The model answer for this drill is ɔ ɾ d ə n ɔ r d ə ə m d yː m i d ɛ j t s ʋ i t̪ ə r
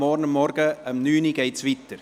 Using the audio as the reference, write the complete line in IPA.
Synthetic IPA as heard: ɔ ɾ n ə m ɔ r ɡ ə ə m n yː n i ɡ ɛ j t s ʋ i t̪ ə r